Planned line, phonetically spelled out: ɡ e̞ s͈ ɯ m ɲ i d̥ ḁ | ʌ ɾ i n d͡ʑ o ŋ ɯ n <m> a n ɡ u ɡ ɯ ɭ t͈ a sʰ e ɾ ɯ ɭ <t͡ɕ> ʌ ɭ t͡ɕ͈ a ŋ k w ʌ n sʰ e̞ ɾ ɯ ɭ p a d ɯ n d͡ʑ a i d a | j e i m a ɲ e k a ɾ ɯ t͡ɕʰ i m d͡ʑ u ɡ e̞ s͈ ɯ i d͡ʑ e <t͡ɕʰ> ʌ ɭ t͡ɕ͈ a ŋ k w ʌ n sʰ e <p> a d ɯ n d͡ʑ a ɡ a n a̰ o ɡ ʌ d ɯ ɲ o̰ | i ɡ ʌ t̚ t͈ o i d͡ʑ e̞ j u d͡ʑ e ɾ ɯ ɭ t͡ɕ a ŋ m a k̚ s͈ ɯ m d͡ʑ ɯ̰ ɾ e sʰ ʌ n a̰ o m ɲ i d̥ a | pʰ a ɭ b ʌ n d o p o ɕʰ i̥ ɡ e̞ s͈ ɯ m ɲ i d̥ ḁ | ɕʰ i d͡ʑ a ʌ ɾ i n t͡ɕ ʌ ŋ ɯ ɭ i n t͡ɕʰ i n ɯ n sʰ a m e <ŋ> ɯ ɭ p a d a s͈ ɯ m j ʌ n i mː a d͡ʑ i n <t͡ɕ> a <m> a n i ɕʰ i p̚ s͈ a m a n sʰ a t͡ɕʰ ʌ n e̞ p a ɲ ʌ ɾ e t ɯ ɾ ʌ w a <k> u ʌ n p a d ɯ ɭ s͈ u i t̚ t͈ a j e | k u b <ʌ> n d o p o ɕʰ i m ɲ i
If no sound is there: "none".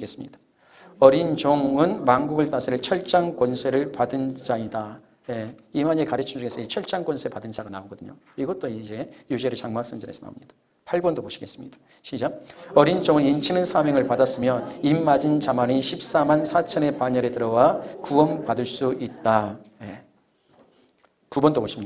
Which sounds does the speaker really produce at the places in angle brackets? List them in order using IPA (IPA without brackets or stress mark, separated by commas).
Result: m, t͡ɕʰ, t͡ɕʰ, p, ŋ, t͡ɕ, m, k, ʌ